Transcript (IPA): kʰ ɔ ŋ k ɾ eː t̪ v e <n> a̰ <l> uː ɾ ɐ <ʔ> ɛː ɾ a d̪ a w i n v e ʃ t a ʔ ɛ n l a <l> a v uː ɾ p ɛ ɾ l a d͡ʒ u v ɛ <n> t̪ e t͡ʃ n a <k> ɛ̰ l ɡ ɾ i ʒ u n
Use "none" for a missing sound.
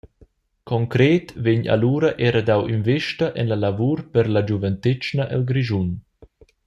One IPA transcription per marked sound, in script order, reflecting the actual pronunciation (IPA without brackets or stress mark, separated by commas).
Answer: ɲ, l, ʔ, l, n, ʔ